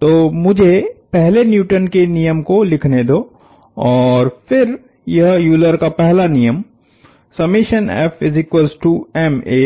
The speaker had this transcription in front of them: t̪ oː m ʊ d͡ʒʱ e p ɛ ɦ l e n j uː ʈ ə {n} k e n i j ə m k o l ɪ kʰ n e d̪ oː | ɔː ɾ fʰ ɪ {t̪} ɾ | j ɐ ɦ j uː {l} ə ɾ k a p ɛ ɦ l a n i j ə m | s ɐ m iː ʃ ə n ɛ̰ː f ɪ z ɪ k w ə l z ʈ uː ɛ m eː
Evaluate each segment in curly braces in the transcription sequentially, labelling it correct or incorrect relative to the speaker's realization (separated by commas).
correct, incorrect, correct